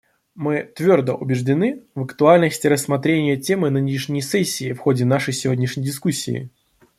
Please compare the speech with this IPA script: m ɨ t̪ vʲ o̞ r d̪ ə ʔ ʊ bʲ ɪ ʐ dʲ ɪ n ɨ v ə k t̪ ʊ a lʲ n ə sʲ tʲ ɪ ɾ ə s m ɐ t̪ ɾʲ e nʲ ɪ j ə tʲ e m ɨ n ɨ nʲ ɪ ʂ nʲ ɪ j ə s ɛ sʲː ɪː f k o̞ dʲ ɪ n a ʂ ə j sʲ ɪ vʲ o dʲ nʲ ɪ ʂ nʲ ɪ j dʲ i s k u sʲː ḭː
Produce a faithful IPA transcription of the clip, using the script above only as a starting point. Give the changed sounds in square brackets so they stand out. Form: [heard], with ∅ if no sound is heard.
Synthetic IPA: m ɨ t̪ vʲ o̞ r d̪ ə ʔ ʊ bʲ ɪ ʐ dʲ ɪ n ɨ v ə k t̪ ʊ a lʲ n ə sʲ tʲ ɪ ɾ ə s m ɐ t̪ ɾʲ e nʲ ɪ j ə tʲ e m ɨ n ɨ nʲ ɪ ʂ nʲ ɪ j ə s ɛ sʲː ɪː f [x] o̞ dʲ ɪ n a ʂ ə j sʲ ɪ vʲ o dʲ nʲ ɪ ʂ nʲ ɪ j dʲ [ɪ] s k u sʲː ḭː